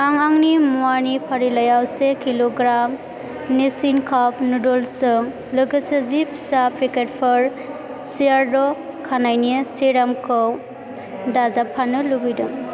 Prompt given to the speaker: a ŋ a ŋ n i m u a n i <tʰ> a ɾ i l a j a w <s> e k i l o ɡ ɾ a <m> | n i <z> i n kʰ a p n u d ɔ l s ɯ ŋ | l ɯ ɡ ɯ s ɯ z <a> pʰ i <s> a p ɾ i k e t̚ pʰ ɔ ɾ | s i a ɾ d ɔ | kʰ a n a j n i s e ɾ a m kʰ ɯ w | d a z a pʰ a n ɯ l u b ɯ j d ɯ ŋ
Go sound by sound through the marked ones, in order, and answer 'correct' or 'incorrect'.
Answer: incorrect: pʰ, correct, correct, incorrect: s, incorrect: i, correct

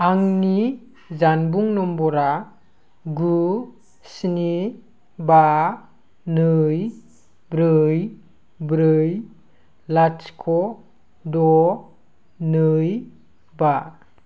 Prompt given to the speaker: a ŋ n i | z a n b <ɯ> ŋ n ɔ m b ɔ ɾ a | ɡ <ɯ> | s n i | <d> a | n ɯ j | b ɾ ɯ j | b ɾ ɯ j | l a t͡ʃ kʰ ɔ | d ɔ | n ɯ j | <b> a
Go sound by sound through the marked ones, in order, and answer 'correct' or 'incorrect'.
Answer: incorrect: u, incorrect: u, incorrect: b, correct

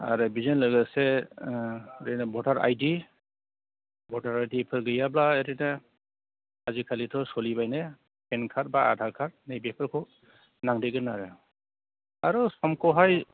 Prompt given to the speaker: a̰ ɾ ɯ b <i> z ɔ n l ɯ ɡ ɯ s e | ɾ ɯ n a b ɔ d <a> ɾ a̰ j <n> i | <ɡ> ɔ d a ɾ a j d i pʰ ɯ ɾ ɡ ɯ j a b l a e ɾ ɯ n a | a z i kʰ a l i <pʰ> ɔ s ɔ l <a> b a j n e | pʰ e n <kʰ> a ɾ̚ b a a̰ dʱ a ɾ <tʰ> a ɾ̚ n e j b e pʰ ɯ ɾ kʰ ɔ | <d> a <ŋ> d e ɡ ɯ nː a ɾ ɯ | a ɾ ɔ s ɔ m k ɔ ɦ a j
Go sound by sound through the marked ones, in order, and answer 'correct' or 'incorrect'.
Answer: correct, correct, incorrect: d, incorrect: b, incorrect: tʰ, incorrect: i, correct, incorrect: kʰ, incorrect: n, correct

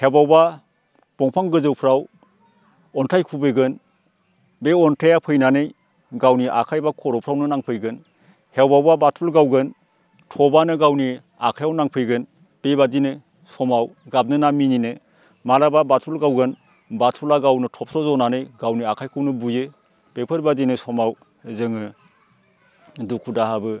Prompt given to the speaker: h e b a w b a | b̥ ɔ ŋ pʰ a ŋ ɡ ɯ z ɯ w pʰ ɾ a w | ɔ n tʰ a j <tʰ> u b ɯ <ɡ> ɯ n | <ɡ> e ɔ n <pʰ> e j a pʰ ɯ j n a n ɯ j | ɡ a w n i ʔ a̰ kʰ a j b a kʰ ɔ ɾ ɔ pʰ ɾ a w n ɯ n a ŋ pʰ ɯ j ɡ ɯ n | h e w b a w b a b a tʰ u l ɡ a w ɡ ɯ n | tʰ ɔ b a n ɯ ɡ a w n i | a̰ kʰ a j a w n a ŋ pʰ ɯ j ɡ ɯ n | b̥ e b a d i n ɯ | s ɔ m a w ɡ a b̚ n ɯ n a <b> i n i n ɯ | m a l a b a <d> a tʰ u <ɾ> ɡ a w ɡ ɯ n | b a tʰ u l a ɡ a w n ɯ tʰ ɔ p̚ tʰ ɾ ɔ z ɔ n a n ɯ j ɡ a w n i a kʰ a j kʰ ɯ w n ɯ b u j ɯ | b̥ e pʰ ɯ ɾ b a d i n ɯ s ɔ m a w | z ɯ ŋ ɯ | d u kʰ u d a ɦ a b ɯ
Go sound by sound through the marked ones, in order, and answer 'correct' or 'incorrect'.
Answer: incorrect: kʰ, correct, incorrect: b, incorrect: tʰ, incorrect: m, incorrect: b, incorrect: l

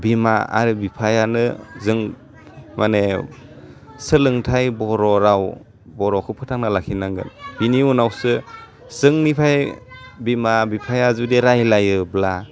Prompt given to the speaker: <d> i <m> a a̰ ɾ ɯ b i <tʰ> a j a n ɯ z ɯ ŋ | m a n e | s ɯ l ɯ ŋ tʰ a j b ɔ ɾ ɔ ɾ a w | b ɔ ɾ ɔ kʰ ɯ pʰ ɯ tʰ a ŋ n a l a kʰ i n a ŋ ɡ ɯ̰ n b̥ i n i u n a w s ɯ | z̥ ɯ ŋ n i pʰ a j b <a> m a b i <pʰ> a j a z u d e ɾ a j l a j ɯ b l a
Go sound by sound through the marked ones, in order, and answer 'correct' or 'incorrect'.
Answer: incorrect: b, correct, incorrect: pʰ, incorrect: i, correct

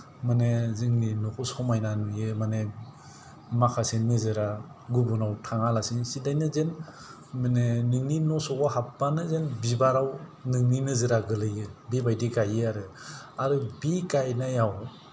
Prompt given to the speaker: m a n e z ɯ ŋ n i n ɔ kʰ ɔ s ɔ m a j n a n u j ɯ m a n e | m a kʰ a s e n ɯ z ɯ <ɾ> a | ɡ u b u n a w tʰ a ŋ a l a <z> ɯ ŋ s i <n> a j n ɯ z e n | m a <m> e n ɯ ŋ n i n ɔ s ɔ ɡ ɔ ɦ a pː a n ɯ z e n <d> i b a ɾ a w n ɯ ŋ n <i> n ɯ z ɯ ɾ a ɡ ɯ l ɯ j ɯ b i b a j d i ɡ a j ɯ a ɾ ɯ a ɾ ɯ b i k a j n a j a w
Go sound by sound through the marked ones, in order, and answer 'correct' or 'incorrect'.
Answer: correct, incorrect: s, incorrect: d, incorrect: n, incorrect: b, correct

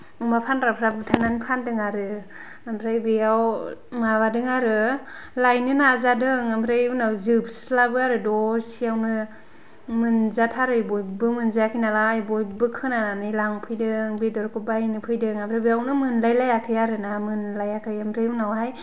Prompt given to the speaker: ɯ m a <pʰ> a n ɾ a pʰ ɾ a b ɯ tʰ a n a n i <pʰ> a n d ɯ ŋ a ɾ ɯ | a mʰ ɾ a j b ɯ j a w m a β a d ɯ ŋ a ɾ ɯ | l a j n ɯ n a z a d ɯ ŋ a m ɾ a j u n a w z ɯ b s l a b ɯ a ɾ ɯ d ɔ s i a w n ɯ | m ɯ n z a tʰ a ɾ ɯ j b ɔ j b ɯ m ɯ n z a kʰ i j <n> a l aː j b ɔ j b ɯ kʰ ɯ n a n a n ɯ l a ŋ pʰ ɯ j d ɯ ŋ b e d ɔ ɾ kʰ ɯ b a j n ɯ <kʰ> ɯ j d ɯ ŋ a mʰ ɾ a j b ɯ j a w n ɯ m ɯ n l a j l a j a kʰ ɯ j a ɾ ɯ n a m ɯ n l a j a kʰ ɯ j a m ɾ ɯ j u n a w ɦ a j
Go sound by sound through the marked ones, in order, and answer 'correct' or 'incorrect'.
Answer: correct, correct, correct, incorrect: pʰ

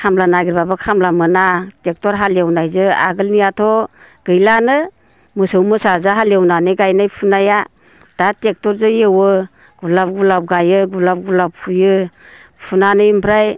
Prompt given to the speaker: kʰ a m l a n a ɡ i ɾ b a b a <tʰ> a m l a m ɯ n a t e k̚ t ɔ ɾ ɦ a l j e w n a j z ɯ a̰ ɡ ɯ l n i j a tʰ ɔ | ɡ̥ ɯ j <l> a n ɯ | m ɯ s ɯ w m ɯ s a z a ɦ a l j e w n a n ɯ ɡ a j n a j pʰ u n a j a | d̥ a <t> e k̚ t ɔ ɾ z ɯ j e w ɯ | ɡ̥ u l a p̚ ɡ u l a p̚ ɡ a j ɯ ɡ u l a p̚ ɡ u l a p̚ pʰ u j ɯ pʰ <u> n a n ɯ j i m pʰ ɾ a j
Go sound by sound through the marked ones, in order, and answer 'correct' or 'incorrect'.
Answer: incorrect: kʰ, correct, correct, correct

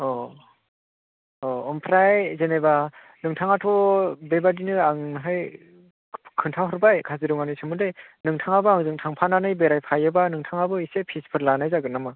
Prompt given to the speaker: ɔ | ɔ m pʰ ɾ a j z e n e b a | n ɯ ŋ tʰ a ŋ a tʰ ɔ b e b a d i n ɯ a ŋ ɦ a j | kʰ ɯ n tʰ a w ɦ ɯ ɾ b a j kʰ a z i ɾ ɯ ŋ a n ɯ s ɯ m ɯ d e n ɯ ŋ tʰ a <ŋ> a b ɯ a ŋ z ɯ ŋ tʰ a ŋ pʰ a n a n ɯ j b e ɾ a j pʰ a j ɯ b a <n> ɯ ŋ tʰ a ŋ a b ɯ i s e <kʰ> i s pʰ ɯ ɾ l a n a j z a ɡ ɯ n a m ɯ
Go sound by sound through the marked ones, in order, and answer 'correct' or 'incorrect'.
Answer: correct, correct, incorrect: pʰ

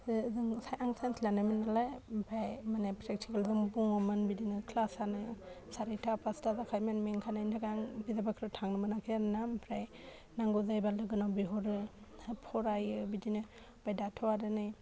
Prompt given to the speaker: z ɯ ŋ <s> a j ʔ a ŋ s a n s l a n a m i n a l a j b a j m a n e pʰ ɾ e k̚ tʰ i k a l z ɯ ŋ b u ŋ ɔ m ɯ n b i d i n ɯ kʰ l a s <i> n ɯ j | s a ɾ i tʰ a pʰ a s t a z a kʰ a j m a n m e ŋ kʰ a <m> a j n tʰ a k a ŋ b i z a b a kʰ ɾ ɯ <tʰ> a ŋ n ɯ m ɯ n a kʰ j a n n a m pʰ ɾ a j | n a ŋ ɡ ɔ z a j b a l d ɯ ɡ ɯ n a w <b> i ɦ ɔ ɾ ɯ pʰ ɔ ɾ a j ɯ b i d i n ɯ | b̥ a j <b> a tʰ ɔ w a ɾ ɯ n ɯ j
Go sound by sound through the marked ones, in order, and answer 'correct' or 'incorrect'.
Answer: correct, incorrect: a, incorrect: n, correct, correct, incorrect: d

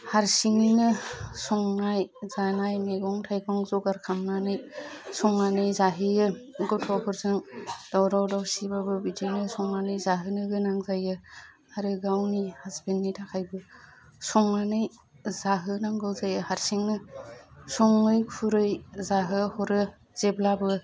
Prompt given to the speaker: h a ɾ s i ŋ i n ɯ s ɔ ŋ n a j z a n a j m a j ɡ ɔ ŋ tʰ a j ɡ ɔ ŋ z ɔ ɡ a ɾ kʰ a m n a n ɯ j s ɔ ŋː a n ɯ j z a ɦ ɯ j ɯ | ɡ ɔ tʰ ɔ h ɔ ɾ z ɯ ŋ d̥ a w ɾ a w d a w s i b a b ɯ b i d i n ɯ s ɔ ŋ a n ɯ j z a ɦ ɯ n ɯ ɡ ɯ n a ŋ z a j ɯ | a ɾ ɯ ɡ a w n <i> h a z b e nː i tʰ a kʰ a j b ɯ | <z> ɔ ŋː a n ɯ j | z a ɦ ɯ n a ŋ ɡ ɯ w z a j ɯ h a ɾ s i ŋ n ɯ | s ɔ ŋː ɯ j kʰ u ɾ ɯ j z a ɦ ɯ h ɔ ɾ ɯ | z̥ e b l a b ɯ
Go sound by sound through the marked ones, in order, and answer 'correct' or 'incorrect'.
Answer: correct, incorrect: s

